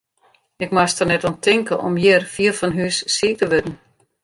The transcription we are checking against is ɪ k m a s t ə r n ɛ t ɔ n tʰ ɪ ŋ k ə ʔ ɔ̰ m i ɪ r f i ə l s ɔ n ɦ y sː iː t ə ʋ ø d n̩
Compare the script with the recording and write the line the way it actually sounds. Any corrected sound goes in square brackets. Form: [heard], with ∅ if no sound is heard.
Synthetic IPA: ɪ k m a s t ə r n ɛ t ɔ n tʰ ɪ ŋ k ə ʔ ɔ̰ m [j] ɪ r f i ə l [f] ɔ n ɦ y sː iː t ə ʋ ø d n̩